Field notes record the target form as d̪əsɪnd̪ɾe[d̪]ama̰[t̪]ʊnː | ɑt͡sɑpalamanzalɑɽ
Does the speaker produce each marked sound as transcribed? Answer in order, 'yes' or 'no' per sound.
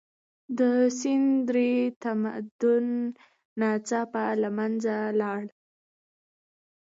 no, no

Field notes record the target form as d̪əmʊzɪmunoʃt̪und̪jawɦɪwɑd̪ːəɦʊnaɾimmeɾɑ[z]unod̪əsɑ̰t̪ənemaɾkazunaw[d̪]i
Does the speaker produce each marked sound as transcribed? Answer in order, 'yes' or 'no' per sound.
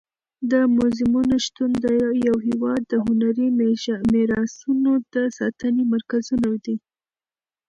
no, yes

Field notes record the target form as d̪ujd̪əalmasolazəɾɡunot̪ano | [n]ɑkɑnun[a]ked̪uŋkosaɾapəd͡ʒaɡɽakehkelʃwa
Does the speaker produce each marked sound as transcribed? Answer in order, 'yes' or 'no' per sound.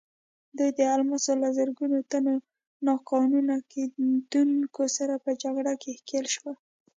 yes, yes

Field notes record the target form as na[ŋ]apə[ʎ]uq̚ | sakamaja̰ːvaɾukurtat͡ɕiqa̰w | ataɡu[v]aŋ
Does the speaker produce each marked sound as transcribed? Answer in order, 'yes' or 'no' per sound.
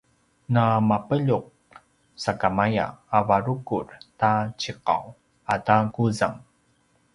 no, yes, no

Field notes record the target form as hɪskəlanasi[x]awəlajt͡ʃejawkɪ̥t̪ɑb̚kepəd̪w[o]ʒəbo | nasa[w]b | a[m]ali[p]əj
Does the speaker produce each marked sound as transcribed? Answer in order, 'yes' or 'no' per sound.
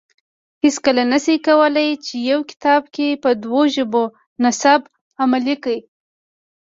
no, yes, no, yes, no

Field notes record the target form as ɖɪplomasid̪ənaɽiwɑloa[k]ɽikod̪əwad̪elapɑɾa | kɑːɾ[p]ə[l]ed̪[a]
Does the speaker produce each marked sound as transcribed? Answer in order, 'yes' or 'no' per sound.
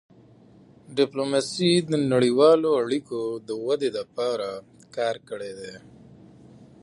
no, no, no, no

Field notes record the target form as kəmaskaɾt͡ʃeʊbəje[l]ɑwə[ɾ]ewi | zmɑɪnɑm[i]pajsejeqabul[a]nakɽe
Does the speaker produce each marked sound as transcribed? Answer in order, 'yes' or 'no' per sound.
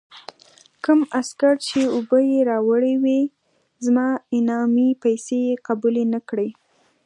no, no, yes, no

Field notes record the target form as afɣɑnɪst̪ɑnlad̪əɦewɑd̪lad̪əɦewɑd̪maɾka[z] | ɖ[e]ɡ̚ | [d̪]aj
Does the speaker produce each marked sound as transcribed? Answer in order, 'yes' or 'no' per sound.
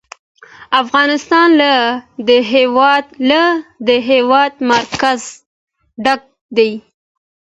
yes, no, yes

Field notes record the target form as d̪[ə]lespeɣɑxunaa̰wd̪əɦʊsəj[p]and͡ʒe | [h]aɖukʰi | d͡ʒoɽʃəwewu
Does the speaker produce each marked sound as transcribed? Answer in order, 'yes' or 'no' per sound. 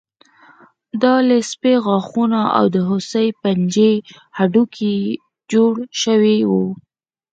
no, yes, yes

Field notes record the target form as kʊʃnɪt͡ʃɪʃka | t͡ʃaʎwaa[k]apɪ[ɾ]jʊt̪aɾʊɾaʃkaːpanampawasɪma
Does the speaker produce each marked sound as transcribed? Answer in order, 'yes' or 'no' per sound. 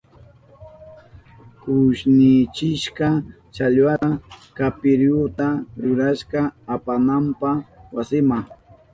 yes, yes

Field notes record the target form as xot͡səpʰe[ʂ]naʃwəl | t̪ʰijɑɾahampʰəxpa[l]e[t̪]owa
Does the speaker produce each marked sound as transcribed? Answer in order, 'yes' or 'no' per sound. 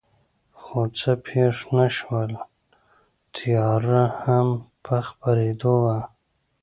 yes, no, no

